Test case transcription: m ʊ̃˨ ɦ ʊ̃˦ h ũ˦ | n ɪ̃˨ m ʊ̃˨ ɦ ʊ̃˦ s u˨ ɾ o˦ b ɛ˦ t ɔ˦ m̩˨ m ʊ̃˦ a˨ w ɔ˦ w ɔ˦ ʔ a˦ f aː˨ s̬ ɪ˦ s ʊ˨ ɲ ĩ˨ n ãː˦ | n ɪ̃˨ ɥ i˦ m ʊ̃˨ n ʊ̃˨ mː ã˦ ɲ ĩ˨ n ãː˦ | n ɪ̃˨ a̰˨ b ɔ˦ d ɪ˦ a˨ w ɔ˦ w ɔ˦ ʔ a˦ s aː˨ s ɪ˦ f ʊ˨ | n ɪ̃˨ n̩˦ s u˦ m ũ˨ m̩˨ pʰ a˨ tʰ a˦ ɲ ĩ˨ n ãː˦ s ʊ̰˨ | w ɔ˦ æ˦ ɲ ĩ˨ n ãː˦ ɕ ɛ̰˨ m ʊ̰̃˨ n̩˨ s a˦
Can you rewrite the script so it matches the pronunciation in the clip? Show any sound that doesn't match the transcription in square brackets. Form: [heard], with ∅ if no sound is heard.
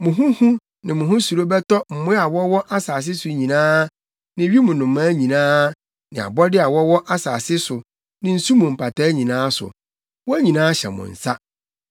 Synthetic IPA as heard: m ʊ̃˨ ɦ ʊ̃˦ h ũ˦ | n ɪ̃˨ m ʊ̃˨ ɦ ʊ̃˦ s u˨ ɾ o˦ b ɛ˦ t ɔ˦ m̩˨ m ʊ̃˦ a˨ w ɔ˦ w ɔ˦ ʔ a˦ [s] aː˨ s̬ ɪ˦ s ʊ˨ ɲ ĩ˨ n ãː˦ | n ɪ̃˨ ɥ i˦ m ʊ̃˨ n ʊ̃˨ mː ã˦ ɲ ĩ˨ n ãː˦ | n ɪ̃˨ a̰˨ b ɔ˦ d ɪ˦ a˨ w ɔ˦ w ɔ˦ ʔ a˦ s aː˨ s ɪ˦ [s] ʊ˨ | n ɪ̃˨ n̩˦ s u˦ m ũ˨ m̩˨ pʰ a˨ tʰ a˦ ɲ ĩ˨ n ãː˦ s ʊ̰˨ | w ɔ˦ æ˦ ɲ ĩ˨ n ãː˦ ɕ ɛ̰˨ m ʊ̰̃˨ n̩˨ s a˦